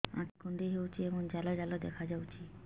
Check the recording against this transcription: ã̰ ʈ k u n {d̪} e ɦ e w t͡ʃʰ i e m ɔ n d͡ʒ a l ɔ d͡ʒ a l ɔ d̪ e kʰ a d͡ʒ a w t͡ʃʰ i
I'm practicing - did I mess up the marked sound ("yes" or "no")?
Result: no